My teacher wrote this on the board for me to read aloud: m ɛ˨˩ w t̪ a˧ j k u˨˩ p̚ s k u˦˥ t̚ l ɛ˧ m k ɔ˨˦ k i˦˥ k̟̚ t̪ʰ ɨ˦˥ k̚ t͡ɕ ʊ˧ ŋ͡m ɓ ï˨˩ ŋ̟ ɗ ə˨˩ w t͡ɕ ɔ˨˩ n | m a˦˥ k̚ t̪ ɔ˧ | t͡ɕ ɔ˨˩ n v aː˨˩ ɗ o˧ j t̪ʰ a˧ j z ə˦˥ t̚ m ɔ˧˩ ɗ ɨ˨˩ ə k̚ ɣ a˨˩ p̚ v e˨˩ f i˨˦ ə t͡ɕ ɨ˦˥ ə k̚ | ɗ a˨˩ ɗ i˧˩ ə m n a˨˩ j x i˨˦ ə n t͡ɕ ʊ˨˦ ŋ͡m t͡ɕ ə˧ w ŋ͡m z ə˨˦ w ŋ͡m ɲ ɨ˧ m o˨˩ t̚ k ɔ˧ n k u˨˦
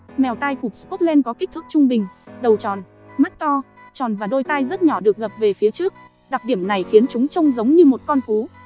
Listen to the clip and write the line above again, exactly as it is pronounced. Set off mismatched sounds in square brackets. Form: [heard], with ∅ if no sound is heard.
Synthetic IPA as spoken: m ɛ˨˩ w t̪ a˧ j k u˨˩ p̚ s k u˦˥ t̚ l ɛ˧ [n] k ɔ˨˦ k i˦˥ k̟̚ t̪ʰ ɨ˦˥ k̚ t͡ɕ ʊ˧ ŋ͡m ɓ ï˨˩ ŋ̟ ɗ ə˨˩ w t͡ɕ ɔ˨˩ n | m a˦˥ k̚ t̪ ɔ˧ | t͡ɕ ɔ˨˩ n v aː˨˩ ɗ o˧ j [t̪] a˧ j z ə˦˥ t̚ [ɲ] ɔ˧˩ ɗ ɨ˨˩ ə k̚ ɣ [ə˨˩] p̚ v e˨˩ f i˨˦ ə t͡ɕ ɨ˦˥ ə k̚ | ɗ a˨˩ ɗ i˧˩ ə m n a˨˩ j x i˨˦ ə n t͡ɕ ʊ˨˦ ŋ͡m t͡ɕ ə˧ w ŋ͡m z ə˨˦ w ŋ͡m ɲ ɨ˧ m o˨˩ t̚ k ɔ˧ n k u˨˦

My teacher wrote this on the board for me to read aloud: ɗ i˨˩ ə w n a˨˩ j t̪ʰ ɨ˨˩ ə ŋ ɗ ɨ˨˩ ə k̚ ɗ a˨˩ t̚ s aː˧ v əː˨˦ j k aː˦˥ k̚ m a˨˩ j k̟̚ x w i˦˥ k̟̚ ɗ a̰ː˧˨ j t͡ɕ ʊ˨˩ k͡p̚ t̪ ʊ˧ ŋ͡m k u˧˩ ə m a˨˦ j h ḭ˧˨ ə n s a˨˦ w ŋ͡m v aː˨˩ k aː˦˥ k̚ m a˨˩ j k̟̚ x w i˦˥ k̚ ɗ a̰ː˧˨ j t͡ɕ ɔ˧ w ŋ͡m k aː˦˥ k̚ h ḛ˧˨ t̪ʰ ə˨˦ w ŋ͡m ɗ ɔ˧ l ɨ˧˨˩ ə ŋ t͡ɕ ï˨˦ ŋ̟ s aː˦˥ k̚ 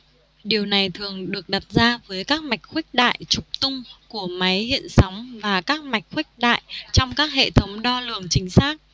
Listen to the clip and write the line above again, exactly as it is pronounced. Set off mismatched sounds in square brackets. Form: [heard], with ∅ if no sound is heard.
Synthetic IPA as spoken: ɗ i˨˩ ə w n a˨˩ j t̪ʰ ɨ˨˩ ə ŋ ɗ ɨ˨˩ ə k̚ ɗ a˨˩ t̚ [z] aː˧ v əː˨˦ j k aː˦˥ k̚ m a˨˩ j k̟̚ x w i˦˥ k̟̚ ɗ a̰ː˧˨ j t͡ɕ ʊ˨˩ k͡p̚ t̪ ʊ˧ ŋ͡m k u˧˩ ə m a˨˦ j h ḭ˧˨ ə n s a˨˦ w ŋ͡m v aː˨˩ k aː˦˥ k̚ m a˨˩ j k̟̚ x w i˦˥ k̚ ɗ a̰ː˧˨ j t͡ɕ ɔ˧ w ŋ͡m k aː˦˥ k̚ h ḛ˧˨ t̪ʰ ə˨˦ w ŋ͡m ɗ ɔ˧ l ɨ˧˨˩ ə ŋ t͡ɕ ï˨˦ ŋ̟ s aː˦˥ k̚

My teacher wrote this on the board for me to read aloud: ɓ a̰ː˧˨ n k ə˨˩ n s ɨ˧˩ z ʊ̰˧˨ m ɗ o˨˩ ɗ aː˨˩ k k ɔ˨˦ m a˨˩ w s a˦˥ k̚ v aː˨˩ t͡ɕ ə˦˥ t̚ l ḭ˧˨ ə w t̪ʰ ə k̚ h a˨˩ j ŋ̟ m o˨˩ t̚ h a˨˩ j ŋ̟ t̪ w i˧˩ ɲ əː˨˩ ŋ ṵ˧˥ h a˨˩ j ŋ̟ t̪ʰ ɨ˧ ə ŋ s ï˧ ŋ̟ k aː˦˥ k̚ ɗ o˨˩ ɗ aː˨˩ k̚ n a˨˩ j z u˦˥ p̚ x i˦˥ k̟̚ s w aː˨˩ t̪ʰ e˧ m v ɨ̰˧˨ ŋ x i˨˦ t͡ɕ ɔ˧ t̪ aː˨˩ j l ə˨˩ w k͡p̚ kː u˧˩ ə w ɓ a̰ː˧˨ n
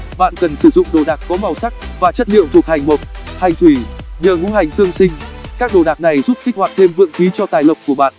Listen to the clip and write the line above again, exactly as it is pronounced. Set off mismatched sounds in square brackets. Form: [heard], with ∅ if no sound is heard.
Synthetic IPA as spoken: ɓ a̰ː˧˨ n k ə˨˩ n s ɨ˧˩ z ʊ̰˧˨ [ŋ͡m] ɗ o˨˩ ɗ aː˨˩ k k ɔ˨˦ m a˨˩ w s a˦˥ k̚ v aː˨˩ t͡ɕ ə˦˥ t̚ l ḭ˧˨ ə w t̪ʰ ə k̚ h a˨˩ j ŋ̟ m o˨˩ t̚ h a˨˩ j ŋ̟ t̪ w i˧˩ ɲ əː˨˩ ŋ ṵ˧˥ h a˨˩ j ŋ̟ [t̪] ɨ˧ ə ŋ s ï˧ ŋ̟ k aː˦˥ k̚ ɗ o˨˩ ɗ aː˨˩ k̚ n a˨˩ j z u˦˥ p̚ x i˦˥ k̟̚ [h] w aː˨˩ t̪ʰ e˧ m v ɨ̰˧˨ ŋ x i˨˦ t͡ɕ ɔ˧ t̪ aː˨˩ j l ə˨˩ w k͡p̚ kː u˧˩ ə [∅] ɓ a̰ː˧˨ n

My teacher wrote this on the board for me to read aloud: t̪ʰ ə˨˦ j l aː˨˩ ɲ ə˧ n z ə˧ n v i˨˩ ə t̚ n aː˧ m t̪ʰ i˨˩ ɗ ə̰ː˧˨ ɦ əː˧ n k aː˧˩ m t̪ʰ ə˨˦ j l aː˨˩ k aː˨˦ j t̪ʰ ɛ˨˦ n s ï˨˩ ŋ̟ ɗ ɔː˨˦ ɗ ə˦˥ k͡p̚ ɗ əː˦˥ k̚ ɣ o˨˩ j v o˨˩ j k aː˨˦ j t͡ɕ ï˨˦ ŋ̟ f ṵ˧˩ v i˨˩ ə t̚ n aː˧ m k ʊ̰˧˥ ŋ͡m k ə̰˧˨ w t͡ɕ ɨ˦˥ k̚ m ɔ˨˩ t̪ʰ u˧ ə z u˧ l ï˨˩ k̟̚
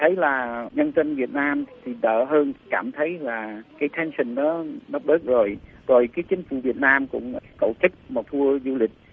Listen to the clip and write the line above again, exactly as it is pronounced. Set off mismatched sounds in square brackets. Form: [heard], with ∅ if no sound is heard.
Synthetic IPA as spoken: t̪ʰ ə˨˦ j l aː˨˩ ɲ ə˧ n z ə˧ n v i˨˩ ə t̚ n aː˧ m t̪ʰ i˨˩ ɗ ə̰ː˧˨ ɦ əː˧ n k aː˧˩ m t̪ʰ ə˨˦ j l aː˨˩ k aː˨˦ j t̪ʰ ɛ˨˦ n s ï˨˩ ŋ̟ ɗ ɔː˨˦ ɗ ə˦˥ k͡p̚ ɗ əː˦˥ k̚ [z] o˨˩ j [z] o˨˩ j k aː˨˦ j t͡ɕ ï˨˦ ŋ̟ f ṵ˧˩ v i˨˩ ə t̚ n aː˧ m k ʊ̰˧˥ ŋ͡m k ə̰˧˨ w t͡ɕ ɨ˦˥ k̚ m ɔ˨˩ t̪ʰ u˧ ə z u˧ l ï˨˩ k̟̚

